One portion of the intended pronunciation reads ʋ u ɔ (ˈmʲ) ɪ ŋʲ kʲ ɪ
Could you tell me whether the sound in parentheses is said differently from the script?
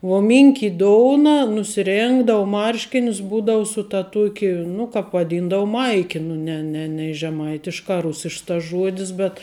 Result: no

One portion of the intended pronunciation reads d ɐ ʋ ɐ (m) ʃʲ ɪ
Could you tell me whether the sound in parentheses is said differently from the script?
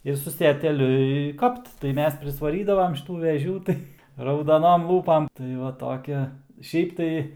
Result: no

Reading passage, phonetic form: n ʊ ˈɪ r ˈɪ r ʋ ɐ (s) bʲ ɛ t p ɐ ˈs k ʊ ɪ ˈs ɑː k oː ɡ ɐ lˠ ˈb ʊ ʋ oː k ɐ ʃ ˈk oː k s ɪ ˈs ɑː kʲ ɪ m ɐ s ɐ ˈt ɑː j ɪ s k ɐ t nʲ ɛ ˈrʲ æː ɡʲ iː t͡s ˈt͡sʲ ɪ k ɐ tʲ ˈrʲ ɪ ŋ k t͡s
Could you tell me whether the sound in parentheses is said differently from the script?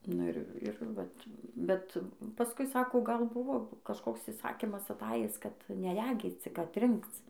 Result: yes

